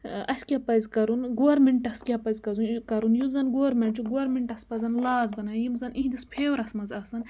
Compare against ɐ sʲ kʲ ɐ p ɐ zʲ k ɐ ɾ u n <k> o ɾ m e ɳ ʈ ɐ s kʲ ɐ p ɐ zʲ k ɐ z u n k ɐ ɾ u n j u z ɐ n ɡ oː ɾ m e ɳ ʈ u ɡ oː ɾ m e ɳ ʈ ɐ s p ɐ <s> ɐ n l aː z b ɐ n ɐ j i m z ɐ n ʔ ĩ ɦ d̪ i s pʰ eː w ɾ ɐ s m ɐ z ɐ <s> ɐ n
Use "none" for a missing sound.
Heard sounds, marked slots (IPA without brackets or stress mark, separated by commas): ɡ, z, s